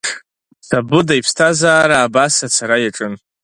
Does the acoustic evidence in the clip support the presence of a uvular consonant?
no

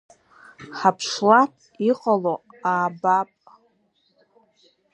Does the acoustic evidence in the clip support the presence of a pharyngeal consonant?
yes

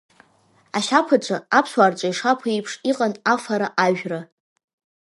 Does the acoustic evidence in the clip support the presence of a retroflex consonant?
yes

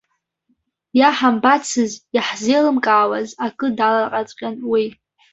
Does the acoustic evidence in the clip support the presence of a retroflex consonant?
no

